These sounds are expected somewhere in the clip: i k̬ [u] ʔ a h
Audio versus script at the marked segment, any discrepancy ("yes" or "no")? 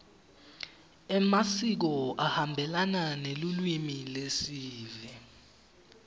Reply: yes